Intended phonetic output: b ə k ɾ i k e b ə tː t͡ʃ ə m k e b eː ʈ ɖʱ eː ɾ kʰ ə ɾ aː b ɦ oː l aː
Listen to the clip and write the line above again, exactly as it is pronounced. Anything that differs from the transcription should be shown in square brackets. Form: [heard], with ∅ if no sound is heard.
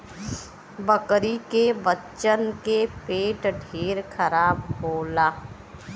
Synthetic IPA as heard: b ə k ɾ i k e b ə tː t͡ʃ ə [n] k e [p] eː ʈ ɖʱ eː ɾ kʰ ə ɾ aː b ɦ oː l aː